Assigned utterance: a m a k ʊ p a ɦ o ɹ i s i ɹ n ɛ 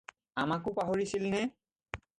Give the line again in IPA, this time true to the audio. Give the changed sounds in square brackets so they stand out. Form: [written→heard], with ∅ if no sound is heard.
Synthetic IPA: a m a k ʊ p a ɦ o ɹ i s i [ɹ→l] n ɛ